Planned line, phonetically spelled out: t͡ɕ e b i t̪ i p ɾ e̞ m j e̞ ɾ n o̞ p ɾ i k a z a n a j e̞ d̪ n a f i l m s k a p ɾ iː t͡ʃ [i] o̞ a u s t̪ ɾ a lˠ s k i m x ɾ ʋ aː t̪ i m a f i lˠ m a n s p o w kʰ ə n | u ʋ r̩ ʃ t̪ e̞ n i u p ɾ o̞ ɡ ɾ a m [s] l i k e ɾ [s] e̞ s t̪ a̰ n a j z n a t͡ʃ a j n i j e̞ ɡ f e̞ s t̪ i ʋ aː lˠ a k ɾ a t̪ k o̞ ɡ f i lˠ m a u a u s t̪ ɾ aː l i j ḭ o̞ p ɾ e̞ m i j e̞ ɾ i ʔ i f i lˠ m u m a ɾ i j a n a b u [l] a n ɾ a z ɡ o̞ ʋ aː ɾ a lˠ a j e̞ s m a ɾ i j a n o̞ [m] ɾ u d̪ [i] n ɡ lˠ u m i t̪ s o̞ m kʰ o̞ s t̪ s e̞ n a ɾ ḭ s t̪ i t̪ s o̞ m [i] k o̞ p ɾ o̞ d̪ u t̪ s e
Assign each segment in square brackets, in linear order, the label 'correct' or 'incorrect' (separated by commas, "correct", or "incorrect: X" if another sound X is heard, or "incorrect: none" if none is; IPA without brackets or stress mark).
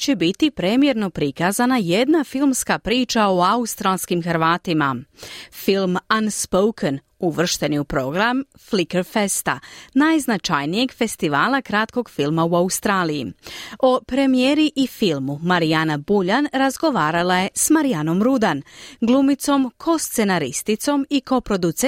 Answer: incorrect: a, incorrect: f, incorrect: f, incorrect: ʎ, correct, incorrect: a, correct